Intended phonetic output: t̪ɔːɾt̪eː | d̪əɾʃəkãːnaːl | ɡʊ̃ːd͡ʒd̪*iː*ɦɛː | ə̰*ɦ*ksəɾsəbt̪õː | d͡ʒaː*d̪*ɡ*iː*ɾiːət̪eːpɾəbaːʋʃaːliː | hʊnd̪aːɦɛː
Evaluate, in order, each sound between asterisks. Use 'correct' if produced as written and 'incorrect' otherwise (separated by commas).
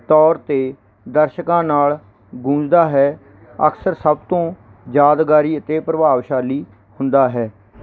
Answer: incorrect, incorrect, correct, incorrect